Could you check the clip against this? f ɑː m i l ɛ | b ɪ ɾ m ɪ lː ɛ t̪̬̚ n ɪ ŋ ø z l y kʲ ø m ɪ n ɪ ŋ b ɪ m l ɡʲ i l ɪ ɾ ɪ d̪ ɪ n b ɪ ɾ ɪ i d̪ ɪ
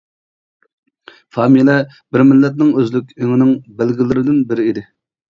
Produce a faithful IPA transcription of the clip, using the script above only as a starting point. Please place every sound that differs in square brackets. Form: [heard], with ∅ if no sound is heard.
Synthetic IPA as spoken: f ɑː m i l ɛ | b ɪ ɾ m ɪ lː ɛ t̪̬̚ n ɪ ŋ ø z l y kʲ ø [ŋ] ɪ n ɪ ŋ b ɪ [∅] l ɡʲ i l ɪ ɾ ɪ d̪ ɪ n b ɪ ɾ ɪ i d̪ ɪ